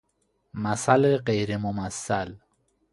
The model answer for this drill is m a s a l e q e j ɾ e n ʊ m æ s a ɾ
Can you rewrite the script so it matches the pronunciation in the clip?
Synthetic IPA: m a s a l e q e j ɾ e m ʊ m a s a l